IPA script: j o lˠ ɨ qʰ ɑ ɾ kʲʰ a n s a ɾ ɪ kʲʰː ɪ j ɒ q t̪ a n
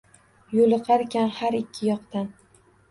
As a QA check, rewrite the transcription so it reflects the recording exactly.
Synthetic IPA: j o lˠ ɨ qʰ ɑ ɾ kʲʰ a n h a ɾ ɪ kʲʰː ɪ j ɒ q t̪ a n